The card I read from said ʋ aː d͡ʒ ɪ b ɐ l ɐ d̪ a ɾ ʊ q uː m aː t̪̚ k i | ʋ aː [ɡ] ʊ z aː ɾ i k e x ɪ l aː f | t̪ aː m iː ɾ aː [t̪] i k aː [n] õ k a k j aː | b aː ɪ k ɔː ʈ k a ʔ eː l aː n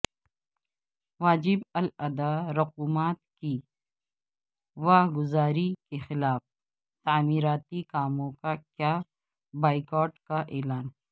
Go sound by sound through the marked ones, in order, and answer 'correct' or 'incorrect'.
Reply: correct, correct, incorrect: m

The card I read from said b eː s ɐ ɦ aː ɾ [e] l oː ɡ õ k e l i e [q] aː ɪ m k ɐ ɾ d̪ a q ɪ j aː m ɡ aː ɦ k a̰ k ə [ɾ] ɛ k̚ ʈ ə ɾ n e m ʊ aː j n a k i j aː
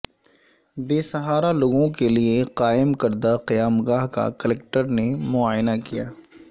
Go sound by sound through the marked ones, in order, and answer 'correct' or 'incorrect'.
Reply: incorrect: a, correct, incorrect: l

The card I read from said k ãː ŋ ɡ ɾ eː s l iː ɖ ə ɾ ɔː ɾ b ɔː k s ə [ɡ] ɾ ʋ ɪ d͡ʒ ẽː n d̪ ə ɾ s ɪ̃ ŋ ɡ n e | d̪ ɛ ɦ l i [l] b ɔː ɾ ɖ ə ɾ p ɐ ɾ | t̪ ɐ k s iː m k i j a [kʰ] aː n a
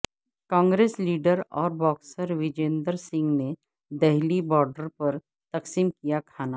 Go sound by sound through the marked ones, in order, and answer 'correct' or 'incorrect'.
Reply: incorrect: none, incorrect: none, correct

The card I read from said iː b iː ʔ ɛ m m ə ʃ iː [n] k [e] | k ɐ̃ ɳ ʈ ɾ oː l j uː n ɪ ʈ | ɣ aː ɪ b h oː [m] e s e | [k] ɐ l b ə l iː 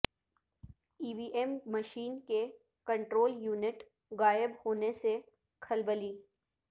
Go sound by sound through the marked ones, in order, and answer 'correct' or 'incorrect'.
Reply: correct, correct, incorrect: n, incorrect: kʰ

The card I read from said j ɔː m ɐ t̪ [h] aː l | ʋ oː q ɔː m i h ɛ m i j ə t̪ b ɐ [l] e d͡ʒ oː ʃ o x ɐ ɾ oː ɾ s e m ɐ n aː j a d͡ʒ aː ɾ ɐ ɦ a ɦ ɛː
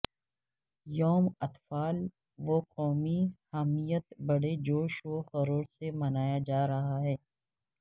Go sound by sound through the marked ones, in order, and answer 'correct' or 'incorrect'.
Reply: incorrect: f, incorrect: ɽ

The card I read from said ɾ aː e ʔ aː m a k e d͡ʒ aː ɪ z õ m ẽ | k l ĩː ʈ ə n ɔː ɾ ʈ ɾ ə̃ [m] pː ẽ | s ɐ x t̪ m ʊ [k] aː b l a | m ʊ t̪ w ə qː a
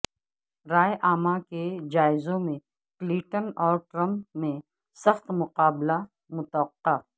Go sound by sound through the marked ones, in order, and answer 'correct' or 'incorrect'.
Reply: correct, incorrect: q

